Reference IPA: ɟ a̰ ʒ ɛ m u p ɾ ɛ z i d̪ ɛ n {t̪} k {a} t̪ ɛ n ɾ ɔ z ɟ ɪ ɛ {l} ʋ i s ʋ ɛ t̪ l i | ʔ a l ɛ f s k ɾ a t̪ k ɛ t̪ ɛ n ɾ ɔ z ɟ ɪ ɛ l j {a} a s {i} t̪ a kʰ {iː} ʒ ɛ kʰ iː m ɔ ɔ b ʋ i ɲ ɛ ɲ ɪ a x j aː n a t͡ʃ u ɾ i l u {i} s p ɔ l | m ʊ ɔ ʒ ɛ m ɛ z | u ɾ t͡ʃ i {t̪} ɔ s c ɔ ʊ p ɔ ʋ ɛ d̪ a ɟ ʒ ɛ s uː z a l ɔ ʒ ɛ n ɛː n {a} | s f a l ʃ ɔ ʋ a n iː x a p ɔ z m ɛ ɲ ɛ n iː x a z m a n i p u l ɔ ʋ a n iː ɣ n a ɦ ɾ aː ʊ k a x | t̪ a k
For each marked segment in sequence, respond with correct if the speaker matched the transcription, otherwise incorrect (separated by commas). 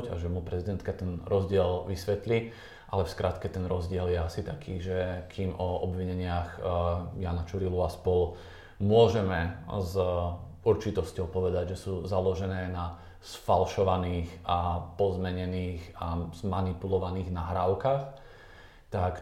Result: correct, correct, correct, incorrect, correct, correct, incorrect, correct, correct